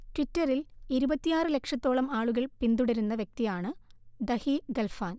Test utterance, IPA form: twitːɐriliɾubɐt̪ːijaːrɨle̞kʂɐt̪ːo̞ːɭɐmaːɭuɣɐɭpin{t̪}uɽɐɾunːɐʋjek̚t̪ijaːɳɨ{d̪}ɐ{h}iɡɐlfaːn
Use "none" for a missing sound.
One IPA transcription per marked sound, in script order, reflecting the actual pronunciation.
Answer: d̪, d̪, h

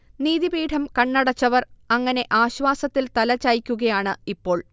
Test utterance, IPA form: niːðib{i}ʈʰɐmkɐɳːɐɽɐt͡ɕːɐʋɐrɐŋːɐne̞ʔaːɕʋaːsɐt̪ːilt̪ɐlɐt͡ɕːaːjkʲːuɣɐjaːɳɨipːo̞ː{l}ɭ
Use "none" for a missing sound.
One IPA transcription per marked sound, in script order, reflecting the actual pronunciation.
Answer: iː, none

